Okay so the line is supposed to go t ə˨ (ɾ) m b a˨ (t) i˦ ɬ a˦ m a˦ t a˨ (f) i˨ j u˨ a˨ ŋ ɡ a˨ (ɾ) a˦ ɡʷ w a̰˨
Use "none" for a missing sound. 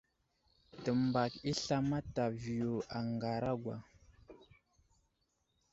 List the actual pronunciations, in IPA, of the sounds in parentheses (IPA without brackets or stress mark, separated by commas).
none, k, v, ɾ